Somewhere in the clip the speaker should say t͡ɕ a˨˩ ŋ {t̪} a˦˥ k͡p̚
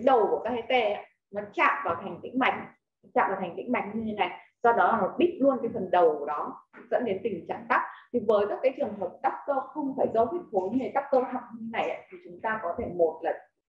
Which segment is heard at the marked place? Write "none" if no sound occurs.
t̪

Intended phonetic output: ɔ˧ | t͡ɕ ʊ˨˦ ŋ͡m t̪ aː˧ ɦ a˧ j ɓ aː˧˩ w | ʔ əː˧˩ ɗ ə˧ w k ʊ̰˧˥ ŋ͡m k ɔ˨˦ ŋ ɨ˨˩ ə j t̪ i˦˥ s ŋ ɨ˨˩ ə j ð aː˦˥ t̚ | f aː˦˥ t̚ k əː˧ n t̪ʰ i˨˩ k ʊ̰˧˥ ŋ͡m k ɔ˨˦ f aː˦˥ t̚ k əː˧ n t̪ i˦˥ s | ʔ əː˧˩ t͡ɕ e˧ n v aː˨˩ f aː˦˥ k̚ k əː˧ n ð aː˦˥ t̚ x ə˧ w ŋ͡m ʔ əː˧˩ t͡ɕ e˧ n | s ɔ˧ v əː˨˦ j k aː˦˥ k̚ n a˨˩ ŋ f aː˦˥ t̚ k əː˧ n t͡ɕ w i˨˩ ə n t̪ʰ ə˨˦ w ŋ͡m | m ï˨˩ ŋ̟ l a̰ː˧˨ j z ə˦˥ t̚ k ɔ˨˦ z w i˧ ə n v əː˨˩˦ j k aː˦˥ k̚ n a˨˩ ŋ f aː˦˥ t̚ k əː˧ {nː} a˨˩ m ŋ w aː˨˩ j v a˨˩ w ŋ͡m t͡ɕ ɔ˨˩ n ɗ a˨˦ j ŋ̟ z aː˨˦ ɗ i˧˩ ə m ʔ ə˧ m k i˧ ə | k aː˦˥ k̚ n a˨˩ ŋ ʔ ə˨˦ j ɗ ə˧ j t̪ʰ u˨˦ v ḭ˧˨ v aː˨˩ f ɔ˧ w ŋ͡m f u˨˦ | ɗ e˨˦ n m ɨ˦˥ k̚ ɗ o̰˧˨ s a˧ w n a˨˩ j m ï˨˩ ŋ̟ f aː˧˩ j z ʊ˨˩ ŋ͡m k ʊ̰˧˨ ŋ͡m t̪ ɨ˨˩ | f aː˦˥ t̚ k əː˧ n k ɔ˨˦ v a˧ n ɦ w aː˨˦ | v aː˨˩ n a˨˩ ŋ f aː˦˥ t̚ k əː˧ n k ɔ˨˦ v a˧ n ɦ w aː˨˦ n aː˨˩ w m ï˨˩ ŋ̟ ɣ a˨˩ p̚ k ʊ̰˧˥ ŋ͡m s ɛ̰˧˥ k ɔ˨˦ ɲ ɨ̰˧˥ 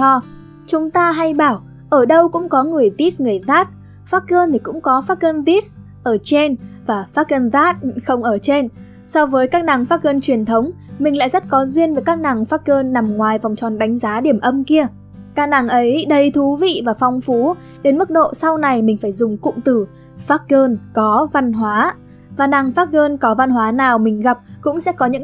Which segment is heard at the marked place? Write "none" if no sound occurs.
nː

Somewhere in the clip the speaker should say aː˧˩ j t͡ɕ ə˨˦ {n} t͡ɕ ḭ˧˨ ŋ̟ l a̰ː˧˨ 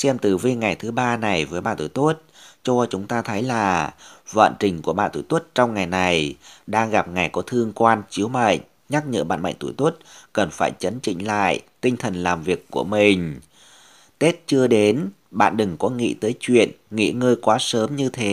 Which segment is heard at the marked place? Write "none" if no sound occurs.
n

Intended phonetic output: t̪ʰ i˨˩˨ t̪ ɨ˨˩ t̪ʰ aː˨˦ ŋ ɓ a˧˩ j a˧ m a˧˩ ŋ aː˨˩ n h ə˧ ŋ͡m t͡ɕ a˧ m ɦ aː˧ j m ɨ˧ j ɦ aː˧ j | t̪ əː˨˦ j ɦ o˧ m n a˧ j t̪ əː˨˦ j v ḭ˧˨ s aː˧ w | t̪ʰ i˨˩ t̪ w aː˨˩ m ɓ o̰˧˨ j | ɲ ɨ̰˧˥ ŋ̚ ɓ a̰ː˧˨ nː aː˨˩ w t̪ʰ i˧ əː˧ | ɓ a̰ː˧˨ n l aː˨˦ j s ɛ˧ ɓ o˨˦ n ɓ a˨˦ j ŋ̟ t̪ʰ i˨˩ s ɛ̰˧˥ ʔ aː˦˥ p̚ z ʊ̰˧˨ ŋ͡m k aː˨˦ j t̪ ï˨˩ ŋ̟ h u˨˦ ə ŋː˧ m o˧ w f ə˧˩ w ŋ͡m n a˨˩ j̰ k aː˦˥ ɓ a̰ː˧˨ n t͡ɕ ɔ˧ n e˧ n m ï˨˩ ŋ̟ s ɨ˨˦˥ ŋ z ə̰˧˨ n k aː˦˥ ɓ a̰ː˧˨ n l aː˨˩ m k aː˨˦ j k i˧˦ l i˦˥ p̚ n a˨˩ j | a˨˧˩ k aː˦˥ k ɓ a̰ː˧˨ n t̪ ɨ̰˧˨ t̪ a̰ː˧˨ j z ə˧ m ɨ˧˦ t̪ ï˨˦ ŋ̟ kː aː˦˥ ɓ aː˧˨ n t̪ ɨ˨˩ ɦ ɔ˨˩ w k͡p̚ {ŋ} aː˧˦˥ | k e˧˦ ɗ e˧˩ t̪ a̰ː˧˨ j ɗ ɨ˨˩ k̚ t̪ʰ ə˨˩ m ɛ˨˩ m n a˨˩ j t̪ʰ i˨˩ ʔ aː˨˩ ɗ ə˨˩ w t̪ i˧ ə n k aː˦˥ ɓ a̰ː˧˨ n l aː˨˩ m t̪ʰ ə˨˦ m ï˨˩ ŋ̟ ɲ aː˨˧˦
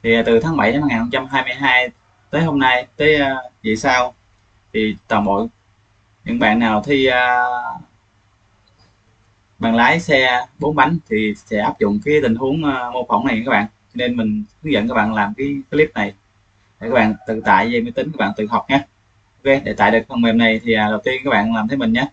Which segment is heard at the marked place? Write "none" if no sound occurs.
ɲ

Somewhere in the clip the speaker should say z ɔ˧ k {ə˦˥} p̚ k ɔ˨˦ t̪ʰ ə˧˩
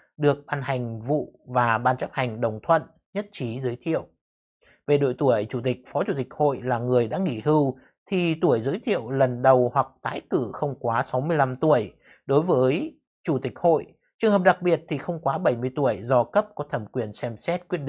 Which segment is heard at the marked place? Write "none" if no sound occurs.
ə˦˥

